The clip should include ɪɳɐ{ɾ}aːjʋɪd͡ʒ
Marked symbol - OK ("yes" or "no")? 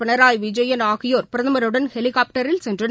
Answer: yes